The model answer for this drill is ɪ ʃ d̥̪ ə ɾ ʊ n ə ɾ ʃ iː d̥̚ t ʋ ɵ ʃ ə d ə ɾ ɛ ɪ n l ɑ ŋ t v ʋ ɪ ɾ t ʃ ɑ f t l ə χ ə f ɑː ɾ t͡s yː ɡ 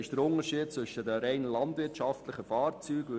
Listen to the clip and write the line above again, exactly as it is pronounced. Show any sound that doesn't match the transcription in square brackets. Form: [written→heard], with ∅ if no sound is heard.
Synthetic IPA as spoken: ɪ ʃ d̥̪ ə ɾ ʊ n ə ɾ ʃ iː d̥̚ [t→t͡s] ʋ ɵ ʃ ə d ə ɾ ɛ ɪ n l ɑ [ŋ→n] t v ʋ ɪ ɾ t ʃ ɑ f t l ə χ ə f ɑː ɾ t͡s yː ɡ